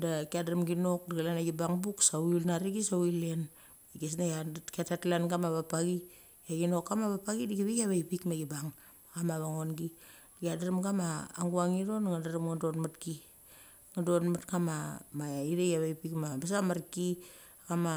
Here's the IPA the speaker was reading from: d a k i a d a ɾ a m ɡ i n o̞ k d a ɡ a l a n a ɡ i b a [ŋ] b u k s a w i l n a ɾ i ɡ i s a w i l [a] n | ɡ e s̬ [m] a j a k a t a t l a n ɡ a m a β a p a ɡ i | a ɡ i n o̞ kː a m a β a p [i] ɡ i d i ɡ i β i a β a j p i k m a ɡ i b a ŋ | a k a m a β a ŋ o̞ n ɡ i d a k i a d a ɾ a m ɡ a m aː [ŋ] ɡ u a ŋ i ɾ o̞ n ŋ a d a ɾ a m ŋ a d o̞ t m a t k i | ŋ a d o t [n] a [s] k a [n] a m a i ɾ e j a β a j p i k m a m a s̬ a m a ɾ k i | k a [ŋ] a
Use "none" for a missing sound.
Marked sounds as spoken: ŋ, e, n, a, ŋ, m, t, m, m

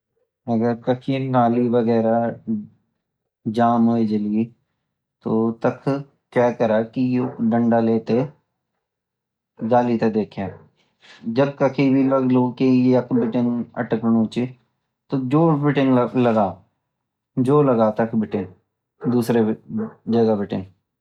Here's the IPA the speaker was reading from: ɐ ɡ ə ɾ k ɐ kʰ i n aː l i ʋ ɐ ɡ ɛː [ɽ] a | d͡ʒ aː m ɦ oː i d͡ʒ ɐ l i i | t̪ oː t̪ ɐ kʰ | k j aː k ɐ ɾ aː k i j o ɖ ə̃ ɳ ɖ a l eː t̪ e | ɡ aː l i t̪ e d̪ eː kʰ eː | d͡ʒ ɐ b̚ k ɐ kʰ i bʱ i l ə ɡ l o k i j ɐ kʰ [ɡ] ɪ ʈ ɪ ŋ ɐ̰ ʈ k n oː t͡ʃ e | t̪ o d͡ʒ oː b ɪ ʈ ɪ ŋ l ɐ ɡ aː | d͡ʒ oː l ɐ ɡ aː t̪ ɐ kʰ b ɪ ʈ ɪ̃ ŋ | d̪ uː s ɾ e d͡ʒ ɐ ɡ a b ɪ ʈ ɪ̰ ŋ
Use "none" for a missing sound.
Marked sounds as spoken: ɾ, b

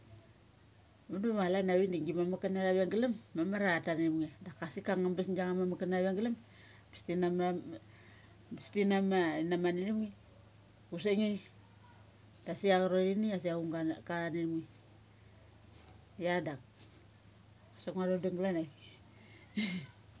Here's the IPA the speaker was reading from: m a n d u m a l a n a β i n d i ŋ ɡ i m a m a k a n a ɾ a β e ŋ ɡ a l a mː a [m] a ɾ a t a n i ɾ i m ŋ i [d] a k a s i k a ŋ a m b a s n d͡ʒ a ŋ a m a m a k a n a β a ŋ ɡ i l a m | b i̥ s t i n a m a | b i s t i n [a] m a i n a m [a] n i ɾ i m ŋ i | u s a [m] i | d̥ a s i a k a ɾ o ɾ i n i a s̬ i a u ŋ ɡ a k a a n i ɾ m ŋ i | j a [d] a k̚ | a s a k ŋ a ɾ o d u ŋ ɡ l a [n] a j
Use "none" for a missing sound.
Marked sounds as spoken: m, d, a, a, ŋ, d, n

